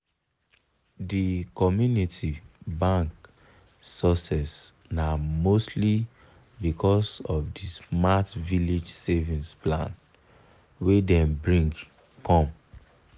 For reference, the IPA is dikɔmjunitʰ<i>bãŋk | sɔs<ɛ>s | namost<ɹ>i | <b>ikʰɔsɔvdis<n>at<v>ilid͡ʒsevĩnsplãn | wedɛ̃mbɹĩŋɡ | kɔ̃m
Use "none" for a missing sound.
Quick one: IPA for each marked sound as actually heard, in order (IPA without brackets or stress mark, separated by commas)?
i, ɛ, l, b, m, v